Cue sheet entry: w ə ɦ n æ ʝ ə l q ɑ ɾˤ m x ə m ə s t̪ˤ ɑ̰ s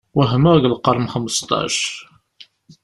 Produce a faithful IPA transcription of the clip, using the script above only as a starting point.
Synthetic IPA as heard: w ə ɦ m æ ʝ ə l q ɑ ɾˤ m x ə m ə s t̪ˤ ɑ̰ ʃ